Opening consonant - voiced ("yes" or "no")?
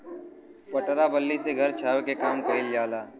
no